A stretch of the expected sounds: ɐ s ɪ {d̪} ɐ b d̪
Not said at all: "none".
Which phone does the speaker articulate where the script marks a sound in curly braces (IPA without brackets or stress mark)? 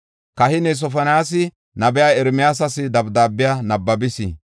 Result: d̪